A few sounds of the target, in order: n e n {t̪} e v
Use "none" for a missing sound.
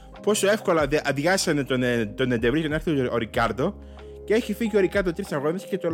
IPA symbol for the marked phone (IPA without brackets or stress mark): d̪